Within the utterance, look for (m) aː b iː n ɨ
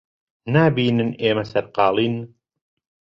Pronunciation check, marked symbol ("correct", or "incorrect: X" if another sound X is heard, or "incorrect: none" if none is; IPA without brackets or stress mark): incorrect: n